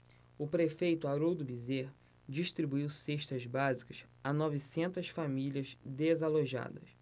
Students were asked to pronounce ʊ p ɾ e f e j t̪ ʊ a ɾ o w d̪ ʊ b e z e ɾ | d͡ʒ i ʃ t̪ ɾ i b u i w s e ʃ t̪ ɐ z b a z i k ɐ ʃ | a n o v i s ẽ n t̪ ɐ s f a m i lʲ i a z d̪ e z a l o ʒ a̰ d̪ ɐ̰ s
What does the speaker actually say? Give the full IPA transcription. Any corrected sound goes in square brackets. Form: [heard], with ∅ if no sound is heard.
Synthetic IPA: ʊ p ɾ e f e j t̪ ʊ a ɾ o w d̪ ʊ b [i] z e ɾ | d͡ʒ i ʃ t̪ ɾ i b u i w s e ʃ t̪ ɐ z b a z i k ɐ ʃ | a n [ɔ] v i s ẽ n t̪ ɐ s f a m i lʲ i [ɐ] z d̪ e z a l o ʒ a̰ d̪ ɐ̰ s